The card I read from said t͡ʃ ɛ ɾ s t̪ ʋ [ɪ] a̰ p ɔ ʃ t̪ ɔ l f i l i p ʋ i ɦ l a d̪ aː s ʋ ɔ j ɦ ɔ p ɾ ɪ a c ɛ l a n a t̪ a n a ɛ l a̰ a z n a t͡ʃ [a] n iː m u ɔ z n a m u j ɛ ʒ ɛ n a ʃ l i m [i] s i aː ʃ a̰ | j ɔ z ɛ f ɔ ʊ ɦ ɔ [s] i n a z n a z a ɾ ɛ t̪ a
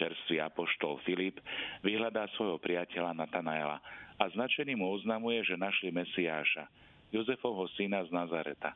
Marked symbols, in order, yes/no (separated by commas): no, no, no, yes